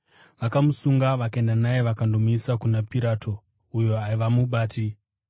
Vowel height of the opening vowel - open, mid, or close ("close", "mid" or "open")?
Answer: open